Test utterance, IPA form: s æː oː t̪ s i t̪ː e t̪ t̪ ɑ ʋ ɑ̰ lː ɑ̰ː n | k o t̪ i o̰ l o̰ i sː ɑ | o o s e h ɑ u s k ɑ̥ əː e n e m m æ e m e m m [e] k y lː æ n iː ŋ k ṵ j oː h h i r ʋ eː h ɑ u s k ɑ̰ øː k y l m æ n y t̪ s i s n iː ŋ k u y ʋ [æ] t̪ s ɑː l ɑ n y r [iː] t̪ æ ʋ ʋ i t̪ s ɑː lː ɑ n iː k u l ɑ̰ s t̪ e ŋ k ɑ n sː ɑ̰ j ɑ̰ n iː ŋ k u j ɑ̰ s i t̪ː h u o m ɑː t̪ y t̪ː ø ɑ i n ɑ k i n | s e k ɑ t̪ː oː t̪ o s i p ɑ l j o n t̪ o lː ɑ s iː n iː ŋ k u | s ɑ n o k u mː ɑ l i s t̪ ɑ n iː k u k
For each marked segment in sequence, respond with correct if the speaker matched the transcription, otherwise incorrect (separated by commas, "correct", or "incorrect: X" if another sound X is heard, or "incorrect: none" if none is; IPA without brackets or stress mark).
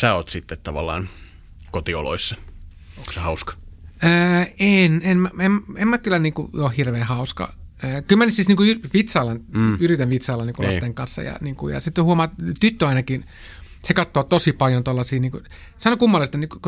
incorrect: æ, incorrect: i, incorrect: i